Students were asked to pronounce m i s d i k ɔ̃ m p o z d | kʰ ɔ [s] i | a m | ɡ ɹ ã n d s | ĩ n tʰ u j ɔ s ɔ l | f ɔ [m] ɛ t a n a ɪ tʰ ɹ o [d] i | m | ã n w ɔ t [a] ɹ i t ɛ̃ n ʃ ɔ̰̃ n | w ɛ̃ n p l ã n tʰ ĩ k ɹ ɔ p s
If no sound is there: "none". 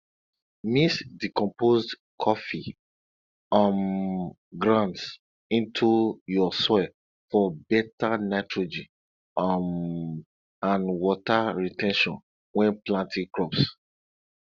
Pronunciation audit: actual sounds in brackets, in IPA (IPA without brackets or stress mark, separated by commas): f, b, d͡ʒ, a